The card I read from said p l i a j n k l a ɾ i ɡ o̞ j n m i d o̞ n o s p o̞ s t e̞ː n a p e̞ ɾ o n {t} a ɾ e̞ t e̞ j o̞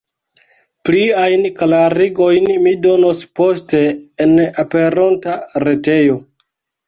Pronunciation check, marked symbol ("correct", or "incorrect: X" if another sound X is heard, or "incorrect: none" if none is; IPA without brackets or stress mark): correct